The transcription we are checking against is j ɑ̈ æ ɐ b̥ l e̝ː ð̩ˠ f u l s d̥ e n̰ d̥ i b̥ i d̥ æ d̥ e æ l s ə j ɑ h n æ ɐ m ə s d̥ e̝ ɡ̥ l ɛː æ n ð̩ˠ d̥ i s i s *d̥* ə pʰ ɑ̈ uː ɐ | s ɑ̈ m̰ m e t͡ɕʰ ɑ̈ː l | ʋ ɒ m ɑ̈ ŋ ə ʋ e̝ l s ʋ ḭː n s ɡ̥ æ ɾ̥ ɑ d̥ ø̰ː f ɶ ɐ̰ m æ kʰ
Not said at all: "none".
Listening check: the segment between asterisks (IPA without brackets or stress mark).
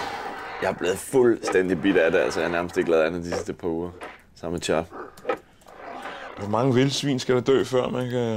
d̥